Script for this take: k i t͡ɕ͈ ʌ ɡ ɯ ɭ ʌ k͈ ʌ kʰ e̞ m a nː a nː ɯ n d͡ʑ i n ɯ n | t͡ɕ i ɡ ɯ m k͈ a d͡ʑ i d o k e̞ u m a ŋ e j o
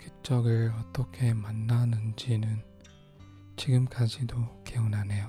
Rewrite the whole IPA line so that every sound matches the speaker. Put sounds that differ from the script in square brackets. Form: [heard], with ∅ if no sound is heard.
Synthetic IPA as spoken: k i t͡ɕ͈ ʌ ɡ ɯ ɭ ʌ [t͈] ʌ kʰ e̞ m a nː a [n] ɯ n d͡ʑ i n ɯ n | t͡ɕ i ɡ ɯ m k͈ a d͡ʑ i d o k e̞ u [n] a [n] e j o